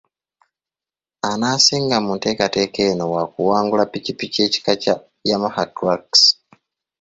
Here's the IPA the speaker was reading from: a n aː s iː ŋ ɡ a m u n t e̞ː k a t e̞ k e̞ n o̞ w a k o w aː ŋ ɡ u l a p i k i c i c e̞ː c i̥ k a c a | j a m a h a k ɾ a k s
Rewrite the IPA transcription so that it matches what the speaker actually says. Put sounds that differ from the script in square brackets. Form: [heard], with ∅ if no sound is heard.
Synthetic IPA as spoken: a n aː s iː ŋ ɡ a m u n t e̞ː k a t e̞ k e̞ n o̞ w a k [u] w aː ŋ ɡ u l a p i [c] i [p] i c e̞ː c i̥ k a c a | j a m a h a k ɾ a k s